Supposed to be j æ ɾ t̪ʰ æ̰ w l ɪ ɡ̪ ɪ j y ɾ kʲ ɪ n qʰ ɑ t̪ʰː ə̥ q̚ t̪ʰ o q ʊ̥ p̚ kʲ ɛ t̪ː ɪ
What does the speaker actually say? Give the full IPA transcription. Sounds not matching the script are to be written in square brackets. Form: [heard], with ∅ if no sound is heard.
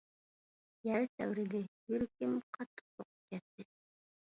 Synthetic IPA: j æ ɾ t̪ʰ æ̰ w [ɾ] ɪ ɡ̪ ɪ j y ɾ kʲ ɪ [m] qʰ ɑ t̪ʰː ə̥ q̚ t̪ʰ o q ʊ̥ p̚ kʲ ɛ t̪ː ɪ